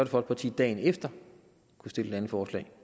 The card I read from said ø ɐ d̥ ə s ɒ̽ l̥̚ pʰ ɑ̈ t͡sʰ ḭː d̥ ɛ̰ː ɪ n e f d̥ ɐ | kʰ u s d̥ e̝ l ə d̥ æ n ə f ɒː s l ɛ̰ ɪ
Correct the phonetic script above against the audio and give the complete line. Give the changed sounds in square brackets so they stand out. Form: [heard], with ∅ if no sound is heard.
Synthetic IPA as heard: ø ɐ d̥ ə [f] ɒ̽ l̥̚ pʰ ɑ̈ t͡sʰ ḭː d̥ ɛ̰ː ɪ n e f d̥ ɐ | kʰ u s d̥ e̝ l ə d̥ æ n ə f ɒː s l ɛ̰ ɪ